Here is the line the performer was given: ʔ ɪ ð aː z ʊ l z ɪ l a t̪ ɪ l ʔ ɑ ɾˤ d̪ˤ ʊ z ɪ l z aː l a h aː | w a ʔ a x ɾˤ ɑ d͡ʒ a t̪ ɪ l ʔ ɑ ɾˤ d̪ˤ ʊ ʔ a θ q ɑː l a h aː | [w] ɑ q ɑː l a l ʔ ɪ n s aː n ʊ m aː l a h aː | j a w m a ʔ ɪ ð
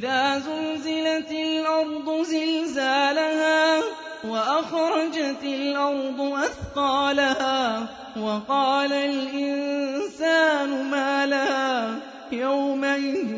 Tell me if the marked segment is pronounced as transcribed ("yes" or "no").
yes